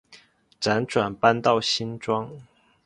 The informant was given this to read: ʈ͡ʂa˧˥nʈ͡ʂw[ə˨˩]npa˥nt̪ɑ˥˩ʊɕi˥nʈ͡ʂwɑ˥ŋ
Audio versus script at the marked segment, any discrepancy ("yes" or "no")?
yes